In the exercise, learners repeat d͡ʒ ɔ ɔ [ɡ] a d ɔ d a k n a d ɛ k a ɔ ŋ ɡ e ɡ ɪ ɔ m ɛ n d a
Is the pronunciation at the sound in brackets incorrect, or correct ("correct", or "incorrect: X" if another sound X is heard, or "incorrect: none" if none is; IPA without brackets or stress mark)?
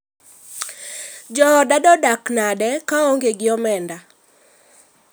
incorrect: d